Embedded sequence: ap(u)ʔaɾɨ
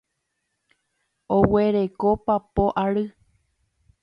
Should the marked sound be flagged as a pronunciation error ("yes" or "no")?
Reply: yes